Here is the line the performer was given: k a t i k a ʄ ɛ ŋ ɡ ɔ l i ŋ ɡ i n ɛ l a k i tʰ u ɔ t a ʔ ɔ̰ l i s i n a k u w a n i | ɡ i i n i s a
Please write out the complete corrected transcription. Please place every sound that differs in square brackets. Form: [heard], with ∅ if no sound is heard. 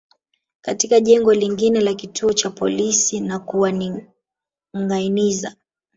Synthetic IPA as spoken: k a t i k a ʄ ɛ ŋ ɡ ɔ l i ŋ ɡ i n ɛ l a k i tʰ u ɔ [t͡ʃ] a [p] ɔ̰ l i s i n a k u w a n i | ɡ [a] i n i [z] a